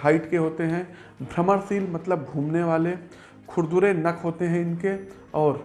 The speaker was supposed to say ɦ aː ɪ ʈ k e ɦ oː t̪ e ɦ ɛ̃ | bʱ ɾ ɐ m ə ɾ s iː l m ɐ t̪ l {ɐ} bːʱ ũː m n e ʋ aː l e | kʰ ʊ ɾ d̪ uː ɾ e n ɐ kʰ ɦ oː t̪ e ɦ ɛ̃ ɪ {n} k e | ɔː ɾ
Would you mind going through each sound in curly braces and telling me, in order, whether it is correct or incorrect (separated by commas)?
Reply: incorrect, correct